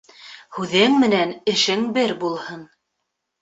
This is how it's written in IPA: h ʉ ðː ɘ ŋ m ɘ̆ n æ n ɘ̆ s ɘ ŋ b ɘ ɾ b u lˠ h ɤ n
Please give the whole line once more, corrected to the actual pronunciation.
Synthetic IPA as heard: h ʉ ð ɘ ŋ m ɘ̆ n æ n ɘ̆ ʃ ɘ ŋ b ɘ ɾ b u lˠ h ɤ n